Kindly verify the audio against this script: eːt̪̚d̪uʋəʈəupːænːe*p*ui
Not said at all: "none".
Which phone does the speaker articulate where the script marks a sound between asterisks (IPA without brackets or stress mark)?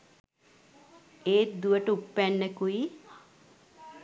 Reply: k